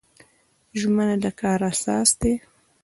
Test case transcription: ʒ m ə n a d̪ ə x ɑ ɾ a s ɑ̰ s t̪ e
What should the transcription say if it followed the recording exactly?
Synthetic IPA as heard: ʒ m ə n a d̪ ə k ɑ ɾ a s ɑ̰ s d̪ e